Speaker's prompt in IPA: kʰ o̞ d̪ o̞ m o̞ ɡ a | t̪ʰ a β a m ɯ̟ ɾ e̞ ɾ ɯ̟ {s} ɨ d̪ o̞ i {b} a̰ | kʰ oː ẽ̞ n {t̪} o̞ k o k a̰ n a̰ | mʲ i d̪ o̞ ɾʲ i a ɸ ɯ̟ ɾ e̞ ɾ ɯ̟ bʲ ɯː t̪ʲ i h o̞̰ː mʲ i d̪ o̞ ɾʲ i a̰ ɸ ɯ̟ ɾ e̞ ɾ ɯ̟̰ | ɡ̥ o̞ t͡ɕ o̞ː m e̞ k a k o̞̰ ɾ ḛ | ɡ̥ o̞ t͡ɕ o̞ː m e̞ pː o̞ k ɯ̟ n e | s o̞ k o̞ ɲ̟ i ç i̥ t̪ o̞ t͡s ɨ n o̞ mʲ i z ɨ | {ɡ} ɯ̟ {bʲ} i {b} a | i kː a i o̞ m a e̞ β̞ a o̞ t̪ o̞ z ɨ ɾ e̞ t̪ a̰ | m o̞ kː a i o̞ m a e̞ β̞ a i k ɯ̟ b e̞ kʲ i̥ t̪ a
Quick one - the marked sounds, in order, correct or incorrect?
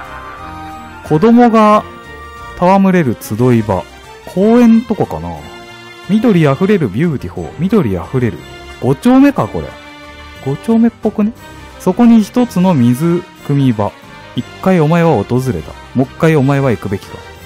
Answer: incorrect: t͡s, correct, correct, incorrect: k, incorrect: mʲ, correct

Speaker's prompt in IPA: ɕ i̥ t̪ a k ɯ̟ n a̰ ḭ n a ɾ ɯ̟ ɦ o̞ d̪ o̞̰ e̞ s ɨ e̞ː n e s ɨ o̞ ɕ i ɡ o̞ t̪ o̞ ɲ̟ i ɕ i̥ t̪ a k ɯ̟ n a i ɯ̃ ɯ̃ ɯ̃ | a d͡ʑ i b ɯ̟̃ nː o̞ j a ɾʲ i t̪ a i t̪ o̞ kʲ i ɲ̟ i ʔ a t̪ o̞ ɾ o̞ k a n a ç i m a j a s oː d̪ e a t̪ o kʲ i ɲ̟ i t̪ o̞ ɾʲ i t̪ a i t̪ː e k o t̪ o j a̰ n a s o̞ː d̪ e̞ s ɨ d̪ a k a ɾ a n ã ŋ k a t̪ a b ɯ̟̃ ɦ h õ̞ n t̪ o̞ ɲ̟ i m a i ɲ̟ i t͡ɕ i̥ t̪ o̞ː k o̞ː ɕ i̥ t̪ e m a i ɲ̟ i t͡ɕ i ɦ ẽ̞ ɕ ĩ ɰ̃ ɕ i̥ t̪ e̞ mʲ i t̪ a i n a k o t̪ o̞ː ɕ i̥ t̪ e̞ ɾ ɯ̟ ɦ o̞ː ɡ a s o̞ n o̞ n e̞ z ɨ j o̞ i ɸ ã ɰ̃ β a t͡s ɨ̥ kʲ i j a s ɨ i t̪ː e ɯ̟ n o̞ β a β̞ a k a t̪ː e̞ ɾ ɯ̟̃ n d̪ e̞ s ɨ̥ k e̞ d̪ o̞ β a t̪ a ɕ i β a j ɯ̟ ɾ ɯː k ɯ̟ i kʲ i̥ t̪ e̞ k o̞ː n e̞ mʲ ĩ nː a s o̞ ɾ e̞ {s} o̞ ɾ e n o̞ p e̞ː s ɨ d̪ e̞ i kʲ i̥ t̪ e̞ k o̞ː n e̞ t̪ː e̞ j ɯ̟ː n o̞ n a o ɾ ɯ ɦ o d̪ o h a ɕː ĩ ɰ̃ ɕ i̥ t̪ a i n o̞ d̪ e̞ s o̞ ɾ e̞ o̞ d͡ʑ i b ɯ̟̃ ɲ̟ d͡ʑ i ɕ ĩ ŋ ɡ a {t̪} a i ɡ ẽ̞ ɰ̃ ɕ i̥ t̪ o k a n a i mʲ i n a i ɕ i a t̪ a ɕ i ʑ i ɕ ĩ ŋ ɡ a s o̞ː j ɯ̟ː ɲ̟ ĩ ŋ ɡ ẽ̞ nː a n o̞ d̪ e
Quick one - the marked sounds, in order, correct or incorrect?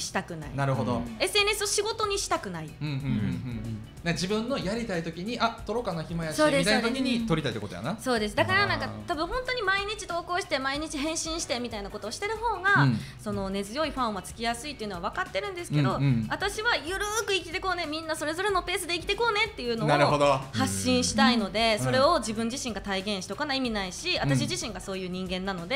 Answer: incorrect: z, correct

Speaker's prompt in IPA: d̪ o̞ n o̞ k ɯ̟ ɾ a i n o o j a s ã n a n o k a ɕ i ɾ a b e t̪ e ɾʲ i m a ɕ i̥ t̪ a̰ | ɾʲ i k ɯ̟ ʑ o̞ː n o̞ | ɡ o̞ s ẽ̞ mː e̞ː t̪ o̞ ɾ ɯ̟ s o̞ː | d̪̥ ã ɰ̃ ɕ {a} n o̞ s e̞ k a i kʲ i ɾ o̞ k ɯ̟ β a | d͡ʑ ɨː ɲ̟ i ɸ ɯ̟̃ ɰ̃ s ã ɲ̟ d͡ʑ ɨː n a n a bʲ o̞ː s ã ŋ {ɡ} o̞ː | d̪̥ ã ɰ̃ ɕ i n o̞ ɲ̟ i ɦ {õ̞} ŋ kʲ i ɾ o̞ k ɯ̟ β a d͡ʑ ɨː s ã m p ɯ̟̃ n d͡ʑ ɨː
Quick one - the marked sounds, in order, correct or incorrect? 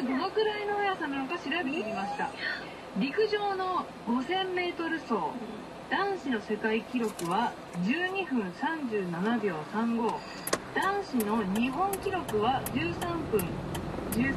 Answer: incorrect: i, correct, correct

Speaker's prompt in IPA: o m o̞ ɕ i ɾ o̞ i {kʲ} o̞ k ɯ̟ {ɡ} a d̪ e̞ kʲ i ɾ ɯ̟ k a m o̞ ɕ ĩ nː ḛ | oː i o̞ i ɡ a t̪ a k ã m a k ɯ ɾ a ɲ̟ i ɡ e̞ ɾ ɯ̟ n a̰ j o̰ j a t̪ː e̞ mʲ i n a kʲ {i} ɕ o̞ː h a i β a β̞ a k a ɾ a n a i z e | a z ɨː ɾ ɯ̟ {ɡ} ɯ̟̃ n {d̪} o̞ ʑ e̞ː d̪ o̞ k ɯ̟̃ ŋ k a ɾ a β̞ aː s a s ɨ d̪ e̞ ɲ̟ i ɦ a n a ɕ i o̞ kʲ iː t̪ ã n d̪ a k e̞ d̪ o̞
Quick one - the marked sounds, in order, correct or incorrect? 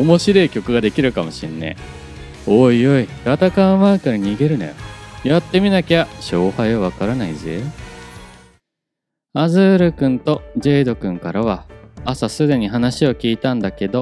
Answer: correct, correct, incorrect: a, incorrect: k, incorrect: t̪

